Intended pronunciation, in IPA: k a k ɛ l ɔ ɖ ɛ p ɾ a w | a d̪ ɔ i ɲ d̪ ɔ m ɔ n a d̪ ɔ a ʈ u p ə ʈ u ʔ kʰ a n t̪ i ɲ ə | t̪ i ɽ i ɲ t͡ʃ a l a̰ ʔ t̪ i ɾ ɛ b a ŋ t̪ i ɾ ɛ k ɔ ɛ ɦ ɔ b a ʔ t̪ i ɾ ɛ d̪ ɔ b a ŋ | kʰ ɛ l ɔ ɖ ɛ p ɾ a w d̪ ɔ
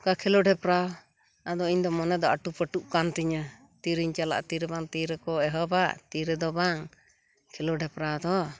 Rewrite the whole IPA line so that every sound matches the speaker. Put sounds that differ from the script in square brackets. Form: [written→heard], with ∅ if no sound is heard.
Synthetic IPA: k a [k→kʰ] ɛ l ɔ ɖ ɛ p ɾ a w | a d̪ ɔ i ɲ d̪ ɔ m ɔ n [a→ɛ] d̪ ɔ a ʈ u p ə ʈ u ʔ [kʰ→k] a n t̪ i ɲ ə | t̪ i [ɽ→ɾ] i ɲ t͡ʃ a l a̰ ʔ t̪ i ɾ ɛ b a ŋ t̪ i ɾ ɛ k ɔ ɛ ɦ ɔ b a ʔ t̪ i ɾ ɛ d̪ ɔ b a ŋ | kʰ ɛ l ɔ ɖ ɛ p ɾ a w d̪ ɔ